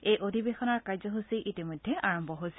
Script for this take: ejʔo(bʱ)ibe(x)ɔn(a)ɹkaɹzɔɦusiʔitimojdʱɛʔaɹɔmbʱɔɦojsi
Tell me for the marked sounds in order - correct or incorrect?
incorrect: dʱ, correct, correct

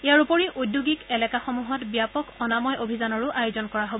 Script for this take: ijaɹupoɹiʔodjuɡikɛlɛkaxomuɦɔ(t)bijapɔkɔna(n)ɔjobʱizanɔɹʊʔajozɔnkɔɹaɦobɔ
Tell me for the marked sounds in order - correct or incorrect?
correct, incorrect: m

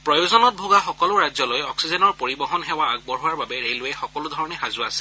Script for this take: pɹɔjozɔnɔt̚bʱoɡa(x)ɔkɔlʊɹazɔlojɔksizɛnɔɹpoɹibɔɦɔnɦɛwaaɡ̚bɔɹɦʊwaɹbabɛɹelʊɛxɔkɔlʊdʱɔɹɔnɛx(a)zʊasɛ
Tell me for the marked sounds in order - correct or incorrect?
correct, correct

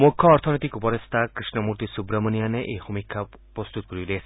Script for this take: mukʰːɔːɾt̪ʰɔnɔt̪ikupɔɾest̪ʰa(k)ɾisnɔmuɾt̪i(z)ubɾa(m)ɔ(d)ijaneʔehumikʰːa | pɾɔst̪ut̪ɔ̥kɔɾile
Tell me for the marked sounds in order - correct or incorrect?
correct, incorrect: s, correct, incorrect: n

